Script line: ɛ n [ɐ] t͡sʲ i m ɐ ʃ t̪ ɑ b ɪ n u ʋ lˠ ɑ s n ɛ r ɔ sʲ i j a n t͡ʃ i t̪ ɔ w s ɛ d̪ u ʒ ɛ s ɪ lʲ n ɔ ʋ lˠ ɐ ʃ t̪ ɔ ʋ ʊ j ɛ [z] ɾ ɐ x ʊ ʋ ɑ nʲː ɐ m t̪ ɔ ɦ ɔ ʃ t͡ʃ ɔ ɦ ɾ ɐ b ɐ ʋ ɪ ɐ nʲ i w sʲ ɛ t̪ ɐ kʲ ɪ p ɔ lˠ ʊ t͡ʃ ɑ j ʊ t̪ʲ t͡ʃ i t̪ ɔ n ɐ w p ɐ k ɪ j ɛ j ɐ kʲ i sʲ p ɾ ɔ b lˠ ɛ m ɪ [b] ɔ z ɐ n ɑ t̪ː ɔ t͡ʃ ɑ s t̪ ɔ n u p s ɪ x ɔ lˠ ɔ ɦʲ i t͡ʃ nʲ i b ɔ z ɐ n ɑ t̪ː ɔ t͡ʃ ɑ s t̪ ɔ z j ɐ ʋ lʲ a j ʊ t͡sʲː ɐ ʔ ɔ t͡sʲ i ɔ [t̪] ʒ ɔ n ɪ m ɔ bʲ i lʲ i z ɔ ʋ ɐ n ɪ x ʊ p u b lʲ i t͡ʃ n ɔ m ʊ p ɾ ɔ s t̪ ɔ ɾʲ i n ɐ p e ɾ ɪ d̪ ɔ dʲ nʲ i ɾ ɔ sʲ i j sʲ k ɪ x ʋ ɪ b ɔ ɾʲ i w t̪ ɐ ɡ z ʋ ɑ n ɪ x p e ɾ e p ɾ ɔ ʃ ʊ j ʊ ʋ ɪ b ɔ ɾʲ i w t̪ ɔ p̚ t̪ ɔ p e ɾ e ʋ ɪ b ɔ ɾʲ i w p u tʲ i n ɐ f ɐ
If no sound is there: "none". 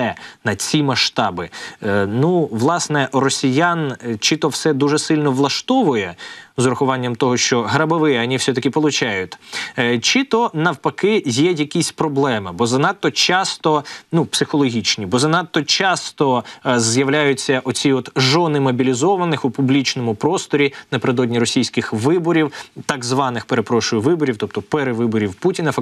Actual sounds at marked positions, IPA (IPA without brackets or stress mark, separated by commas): ɐ, z, b, t̪